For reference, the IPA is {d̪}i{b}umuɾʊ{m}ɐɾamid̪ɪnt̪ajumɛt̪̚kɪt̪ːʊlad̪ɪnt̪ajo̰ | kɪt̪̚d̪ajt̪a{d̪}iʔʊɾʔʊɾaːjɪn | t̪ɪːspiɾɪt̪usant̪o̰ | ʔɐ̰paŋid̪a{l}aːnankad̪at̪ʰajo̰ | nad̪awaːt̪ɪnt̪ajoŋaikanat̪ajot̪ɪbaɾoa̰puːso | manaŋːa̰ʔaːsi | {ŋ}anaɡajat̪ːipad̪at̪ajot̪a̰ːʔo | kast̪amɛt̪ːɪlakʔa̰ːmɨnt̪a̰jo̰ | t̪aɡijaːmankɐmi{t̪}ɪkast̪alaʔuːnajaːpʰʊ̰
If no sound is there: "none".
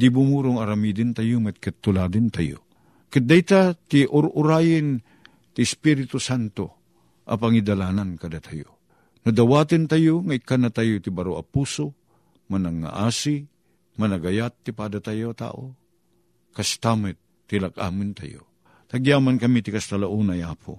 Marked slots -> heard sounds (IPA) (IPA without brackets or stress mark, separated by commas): d̪, b, ŋ, t̪, l, m, t̪